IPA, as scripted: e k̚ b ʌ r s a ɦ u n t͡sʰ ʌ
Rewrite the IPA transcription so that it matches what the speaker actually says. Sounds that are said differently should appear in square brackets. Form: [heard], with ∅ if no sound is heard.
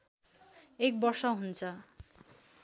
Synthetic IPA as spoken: e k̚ b ʌ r s [ʌ] ɦ u n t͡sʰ ʌ